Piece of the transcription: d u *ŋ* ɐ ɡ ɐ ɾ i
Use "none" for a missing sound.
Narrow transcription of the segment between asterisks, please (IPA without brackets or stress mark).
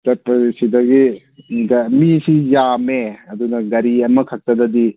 n